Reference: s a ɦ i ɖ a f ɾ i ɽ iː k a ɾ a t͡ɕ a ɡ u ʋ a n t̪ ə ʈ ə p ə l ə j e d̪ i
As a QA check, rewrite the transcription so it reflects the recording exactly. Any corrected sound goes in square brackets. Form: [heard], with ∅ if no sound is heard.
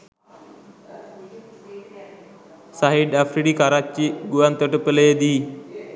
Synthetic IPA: s a ɦ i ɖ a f ɾ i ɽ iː k a ɾ a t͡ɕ [i] ɡ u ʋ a n t̪ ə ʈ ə p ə l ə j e d̪ i